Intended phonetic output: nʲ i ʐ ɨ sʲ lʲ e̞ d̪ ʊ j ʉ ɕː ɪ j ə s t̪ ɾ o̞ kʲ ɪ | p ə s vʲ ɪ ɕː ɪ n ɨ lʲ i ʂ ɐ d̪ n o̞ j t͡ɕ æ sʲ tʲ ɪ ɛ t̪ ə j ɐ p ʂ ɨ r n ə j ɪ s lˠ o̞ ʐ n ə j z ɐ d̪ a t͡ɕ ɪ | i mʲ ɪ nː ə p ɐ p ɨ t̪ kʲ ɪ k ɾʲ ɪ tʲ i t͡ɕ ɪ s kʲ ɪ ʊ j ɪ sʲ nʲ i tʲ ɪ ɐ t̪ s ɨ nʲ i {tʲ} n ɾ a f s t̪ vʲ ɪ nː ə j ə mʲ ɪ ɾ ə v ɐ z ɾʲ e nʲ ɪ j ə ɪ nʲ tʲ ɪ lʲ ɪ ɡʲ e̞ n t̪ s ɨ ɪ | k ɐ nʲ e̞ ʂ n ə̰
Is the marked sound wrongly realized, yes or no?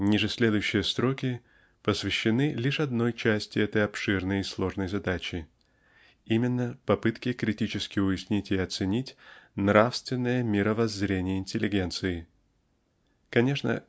no